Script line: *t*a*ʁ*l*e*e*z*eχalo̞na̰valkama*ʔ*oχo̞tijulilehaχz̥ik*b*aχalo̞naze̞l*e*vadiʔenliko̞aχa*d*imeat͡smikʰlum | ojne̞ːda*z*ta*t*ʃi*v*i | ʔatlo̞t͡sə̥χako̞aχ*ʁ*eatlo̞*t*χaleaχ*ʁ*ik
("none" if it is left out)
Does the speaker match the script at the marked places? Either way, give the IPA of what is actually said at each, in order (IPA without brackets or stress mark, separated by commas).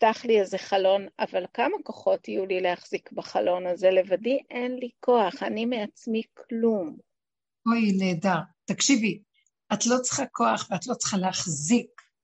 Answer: t, χ, i, z, k, b, e, n, ʁ, k, v, v, t͡s, z